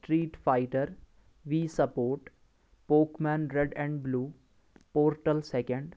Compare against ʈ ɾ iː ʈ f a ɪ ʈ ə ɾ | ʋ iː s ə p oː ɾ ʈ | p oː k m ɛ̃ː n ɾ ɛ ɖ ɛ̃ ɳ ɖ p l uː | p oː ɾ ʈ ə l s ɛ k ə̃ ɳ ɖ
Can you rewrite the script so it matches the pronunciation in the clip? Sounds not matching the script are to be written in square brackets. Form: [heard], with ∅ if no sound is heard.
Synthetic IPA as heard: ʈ ɾ iː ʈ f a ɪ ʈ ə ɾ | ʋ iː s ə p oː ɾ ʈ | p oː k m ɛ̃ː n ɾ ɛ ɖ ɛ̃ ɳ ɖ [b] l uː | p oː ɾ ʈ ə l s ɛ k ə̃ ɳ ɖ